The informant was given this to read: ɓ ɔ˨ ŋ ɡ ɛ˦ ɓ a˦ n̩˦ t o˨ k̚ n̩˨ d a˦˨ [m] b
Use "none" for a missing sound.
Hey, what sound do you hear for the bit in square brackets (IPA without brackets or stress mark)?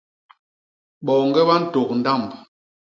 m